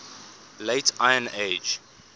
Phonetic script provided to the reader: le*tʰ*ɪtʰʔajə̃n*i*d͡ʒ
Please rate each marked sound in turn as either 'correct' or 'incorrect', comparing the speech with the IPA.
incorrect, incorrect

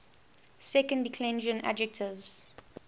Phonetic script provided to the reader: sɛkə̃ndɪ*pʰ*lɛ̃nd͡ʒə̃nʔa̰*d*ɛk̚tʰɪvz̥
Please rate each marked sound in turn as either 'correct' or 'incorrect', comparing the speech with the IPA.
incorrect, incorrect

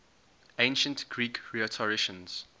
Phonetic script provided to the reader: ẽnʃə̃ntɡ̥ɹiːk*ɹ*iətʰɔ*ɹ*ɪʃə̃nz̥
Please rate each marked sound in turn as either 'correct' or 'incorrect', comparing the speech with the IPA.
correct, correct

